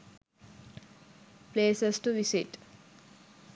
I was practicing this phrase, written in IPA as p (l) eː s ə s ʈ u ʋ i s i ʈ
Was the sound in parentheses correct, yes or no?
yes